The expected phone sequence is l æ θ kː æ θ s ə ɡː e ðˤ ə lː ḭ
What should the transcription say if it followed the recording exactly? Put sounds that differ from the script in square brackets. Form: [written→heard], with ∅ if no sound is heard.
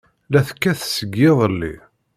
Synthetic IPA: l æ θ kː æ θ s ə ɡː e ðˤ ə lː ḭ

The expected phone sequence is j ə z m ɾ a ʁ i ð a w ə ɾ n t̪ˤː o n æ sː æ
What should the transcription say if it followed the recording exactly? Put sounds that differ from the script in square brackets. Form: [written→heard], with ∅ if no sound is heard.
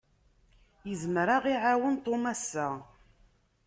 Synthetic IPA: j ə z m ɾ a ʁ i [ð→ʕ] a w ə [ɾ→∅] n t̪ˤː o [n→m] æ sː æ

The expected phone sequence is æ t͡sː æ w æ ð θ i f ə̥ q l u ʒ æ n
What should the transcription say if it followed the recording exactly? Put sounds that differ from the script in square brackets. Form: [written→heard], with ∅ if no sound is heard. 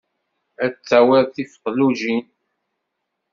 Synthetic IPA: æ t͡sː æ w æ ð θ i f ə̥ q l u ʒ [æ→i] n

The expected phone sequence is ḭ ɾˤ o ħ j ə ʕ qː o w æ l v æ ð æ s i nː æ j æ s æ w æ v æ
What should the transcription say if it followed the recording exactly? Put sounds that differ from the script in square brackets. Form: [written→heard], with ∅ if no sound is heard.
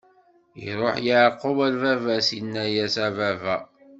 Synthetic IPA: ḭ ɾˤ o ħ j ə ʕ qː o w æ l v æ [ð→v] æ s i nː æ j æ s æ [w→v] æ v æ

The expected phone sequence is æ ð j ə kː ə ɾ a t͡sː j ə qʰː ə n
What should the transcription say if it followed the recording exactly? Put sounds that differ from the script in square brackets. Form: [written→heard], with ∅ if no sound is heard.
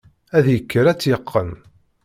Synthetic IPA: æ ð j ə kː ə ɾ [a→æ] t͡sː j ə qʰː ə n

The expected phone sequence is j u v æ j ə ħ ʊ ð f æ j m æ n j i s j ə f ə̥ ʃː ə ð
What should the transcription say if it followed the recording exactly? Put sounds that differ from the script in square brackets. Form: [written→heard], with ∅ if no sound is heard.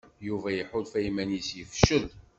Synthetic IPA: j u v æ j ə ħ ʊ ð f æ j m æ n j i s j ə f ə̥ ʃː ə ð

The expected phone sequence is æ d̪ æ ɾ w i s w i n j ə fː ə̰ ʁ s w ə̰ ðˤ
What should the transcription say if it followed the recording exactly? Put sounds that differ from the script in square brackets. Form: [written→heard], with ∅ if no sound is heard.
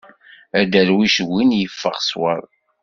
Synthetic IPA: æ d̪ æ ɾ w i [s→ʃ] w i n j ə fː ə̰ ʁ s w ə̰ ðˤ

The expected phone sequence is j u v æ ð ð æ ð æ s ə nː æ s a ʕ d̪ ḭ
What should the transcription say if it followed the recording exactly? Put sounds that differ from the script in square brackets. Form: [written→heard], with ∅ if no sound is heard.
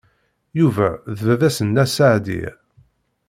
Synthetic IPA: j u v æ ð [ð→v] æ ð æ s ə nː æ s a ʕ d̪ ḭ

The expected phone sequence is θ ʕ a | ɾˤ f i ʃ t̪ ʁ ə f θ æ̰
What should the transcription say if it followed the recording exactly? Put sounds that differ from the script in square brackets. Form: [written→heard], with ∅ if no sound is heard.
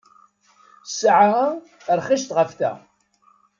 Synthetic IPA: [θ→s] ʕ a | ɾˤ [f→χ] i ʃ t̪ ʁ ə f θ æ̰

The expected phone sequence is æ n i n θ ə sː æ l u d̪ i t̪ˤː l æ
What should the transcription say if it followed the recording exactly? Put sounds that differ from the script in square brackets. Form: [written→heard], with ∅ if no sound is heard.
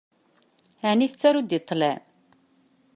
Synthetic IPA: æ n i [n→∅] θ ə [sː→t͡sː] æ [l→ɾ] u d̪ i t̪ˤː l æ

